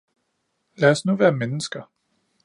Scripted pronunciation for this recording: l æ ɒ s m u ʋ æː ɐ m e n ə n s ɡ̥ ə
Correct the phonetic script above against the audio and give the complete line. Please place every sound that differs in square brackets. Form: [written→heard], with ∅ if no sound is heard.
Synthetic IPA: l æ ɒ s [m→n] u ʋ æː ɐ m e n ə [n→∅] s ɡ̥ [ə→ɐ]